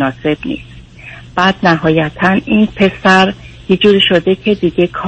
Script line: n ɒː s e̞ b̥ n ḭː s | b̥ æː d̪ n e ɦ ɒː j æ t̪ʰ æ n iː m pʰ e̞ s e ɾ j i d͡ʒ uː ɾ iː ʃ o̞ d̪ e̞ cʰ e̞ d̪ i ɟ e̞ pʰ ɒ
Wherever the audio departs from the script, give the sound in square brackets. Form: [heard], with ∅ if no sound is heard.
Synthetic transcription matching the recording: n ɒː s e̞ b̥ n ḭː s | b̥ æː d̪ n [æ] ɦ ɒː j æ t̪ʰ æ n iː [n] pʰ e̞ s [æ] ɾ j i d͡ʒ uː ɾ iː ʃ o̞ d̪ e̞ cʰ e̞ d̪ i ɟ e̞ [kʰ] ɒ